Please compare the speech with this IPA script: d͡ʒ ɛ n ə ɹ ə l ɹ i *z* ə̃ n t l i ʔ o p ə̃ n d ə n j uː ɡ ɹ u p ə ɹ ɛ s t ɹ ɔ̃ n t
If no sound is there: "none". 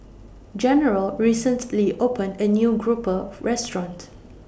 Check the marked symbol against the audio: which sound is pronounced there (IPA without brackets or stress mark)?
s